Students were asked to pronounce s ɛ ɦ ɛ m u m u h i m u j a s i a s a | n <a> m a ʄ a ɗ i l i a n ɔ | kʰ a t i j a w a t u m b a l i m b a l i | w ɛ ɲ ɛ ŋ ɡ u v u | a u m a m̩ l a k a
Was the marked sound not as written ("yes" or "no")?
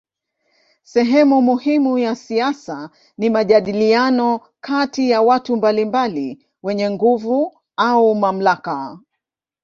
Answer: yes